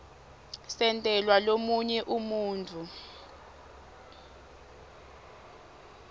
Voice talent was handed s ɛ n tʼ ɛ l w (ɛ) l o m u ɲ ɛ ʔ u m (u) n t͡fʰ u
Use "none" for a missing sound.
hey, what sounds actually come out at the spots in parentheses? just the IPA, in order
a, uː

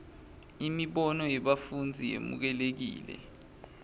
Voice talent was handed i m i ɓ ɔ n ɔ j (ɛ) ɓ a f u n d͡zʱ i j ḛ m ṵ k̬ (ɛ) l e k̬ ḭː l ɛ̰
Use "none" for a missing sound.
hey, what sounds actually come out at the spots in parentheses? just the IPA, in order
ɛ, ɛ

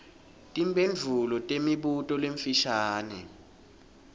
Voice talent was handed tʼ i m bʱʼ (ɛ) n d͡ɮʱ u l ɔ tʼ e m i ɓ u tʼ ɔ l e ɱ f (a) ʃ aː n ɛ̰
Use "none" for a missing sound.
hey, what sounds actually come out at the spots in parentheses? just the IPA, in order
e, i

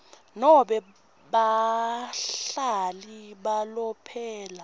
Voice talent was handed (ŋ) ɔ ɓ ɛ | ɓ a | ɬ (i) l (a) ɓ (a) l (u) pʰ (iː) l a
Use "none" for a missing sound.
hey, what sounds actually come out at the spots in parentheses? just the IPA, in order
n, a, i, a, ɔ, ɛː

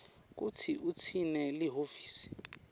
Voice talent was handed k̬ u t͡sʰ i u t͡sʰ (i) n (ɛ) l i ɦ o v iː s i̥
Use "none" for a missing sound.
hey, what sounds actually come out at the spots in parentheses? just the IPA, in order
i, ɛ

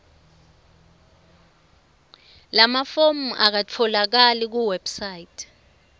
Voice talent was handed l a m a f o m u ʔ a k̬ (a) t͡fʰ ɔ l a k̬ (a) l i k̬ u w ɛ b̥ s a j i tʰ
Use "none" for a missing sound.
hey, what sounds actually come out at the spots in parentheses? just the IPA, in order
a, a

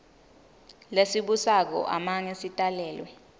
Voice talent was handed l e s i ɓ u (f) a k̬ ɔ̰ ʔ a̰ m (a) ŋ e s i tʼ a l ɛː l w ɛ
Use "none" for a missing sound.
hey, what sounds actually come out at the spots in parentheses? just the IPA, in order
s, a

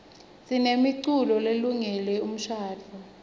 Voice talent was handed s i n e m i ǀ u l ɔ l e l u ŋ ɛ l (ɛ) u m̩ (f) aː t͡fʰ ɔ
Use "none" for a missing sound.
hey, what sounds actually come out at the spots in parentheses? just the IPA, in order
ɛ, ʃ

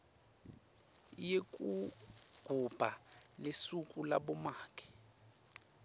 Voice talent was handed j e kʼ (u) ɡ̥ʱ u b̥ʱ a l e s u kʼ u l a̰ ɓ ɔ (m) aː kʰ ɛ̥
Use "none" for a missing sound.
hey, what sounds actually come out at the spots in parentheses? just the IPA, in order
u, m

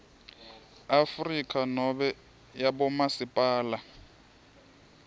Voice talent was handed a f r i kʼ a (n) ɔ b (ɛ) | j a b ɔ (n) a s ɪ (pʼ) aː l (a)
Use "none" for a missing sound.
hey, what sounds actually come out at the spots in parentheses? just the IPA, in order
n, ɛ, m, pʼ, a

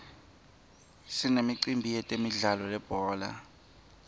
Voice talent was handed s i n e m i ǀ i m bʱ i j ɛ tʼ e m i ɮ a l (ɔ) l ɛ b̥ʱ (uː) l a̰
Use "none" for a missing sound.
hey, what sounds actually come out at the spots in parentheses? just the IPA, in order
ɔ, ɔː

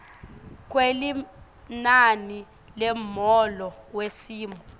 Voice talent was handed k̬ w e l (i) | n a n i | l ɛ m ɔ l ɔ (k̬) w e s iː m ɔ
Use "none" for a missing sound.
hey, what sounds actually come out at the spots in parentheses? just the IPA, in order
i, none

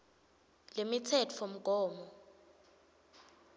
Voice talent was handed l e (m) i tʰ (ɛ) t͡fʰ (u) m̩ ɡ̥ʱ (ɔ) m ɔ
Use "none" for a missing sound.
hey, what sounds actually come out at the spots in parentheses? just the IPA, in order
m, ɛ, o, ɔː

